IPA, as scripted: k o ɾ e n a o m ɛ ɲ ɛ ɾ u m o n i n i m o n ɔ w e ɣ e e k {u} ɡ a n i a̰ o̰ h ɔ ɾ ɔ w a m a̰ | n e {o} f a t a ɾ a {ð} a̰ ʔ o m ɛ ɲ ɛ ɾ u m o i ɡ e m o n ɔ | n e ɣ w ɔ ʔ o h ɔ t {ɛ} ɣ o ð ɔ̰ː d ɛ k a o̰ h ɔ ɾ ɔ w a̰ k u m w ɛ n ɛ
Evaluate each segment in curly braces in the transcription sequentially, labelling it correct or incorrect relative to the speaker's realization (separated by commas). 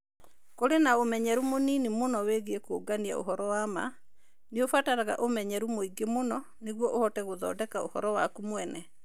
incorrect, correct, incorrect, correct